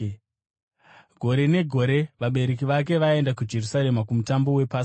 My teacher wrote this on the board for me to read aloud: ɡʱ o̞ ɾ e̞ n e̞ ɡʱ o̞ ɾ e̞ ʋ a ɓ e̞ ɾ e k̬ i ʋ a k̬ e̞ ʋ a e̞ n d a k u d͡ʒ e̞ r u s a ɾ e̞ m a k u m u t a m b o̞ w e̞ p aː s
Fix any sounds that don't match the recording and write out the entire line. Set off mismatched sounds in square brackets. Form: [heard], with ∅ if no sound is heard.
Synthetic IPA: ɡʱ o̞ ɾ e̞ n e̞ ɡʱ o̞ ɾ e̞ ʋ a ɓ e̞ ɾ e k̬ i ʋ a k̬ e̞ ʋ a e̞ n d a k u d͡ʒ e̞ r u s a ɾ e̞ m a k u m u t a m b o̞ w e̞ p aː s